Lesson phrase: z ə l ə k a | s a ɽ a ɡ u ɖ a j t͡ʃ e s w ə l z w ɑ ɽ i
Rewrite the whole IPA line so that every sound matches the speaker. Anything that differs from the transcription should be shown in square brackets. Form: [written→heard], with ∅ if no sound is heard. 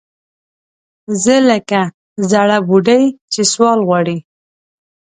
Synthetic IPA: z ə l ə k a | [s→z] a ɽ a [ɡ→b] u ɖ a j t͡ʃ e s w [ə→ɑ] l [z→ɣ] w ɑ ɽ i